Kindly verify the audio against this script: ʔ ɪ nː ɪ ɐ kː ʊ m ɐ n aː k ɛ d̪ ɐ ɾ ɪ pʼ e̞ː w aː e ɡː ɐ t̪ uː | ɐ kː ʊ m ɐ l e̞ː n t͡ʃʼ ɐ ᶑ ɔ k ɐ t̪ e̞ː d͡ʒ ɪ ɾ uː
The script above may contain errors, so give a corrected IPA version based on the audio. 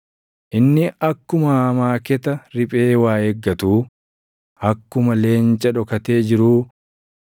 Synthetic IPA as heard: ʔ ɪ nː ɪ ɐ kː ʊ m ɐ m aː k ɛ t̪ ɐ ɾ ɪ pʼ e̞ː w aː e ɡː ɐ t̪ uː | ɐ kː ʊ m ɐ l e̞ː n t͡ʃʼ ɐ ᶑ ɔ k ɐ t̪ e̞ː d͡ʒ ɪ ɾ uː